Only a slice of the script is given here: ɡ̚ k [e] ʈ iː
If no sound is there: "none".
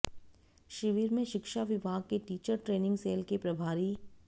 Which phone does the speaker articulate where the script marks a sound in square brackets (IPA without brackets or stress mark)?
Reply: e